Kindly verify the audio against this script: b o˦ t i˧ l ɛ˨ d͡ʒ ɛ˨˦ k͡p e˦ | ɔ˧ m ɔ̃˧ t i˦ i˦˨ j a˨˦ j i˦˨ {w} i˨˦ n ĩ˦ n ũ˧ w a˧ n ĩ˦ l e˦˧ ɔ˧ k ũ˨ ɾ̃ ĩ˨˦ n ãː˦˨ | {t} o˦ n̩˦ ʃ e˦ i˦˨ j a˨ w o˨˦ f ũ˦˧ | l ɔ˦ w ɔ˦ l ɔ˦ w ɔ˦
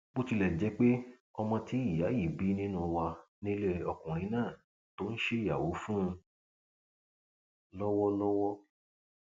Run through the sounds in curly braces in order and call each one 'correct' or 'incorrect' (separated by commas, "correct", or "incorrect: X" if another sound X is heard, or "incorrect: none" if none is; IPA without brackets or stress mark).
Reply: incorrect: b, correct